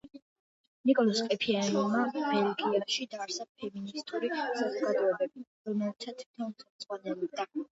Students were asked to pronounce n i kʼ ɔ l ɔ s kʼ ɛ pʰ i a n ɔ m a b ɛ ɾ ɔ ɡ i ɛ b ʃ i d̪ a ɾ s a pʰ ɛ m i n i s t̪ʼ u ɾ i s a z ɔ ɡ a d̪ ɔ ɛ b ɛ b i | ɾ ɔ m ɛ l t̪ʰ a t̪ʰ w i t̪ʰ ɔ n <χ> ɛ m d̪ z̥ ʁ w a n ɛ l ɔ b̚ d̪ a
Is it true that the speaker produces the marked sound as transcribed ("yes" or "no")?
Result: yes